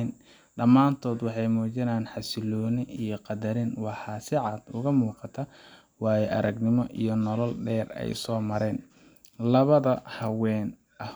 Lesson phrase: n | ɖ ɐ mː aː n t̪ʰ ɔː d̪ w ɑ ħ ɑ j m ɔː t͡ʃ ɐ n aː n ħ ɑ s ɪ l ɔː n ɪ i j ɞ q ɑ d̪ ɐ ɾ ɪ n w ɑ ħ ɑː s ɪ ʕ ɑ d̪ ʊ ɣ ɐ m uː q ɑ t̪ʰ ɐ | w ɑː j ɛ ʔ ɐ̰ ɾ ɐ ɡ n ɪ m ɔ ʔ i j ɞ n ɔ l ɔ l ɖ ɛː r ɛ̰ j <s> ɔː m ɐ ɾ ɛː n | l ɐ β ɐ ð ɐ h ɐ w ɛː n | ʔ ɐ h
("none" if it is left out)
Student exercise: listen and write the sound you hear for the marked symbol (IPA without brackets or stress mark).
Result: s